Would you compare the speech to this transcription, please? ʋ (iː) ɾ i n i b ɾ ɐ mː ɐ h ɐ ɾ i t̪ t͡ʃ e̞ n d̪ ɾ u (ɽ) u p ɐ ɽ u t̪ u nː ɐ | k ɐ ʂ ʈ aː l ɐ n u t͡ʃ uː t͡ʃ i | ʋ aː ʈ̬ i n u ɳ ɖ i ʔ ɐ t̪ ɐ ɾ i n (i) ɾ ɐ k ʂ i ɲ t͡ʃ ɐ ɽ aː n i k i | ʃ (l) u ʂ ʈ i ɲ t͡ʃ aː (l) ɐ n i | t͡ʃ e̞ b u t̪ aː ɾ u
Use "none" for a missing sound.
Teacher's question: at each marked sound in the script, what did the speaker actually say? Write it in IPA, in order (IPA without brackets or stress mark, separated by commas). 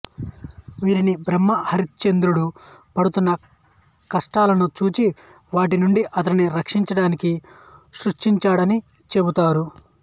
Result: iː, ɽ, i, ɾ, ɽ